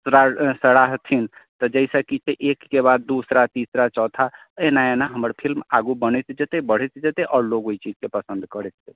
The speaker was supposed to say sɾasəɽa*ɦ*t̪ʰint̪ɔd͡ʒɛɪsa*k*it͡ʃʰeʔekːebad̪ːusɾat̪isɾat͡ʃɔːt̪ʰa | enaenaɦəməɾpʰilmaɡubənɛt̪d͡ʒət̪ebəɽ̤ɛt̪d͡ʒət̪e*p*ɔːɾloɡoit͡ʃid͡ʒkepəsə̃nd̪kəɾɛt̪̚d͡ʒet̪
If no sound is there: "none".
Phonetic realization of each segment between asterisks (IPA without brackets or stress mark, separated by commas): ɦ, k, ʔ